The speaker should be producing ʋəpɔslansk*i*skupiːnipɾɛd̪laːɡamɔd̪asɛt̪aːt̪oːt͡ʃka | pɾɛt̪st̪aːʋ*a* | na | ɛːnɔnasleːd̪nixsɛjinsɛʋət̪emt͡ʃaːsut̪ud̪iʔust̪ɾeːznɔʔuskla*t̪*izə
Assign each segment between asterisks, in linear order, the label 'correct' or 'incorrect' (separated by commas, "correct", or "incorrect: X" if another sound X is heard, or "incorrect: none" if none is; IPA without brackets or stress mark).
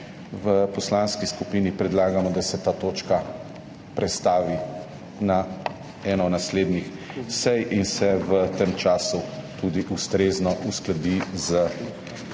correct, incorrect: i, incorrect: d̪